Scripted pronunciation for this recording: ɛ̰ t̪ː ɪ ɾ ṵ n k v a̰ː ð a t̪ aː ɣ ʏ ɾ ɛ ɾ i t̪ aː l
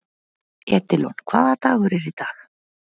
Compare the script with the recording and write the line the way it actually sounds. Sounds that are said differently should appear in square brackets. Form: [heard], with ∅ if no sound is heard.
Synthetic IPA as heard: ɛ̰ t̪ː ɪ [l] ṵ n [kʰ] v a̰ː ð a t̪ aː ɣ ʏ ɾ ɛ ɾ i t̪ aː l